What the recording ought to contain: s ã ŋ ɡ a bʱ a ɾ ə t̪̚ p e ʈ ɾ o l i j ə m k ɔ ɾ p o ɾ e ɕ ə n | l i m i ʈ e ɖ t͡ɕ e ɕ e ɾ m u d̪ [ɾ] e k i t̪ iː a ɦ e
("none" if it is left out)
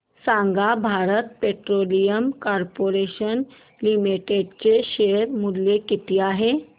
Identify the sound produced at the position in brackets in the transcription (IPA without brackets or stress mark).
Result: l